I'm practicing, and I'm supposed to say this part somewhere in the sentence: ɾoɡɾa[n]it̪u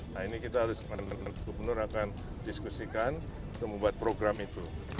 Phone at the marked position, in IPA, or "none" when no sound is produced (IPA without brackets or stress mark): m